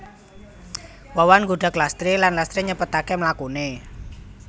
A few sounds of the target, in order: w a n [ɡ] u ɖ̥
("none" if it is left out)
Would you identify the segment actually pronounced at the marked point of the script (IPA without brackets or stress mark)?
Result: ɡ